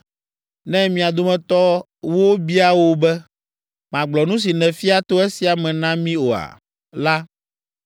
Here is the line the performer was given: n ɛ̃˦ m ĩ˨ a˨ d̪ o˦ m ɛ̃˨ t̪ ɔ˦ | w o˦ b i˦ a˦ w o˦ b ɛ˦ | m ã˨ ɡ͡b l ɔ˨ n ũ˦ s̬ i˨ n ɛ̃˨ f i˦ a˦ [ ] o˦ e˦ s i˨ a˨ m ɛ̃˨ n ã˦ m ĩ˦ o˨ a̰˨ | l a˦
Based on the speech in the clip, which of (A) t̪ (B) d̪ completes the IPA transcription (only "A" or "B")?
A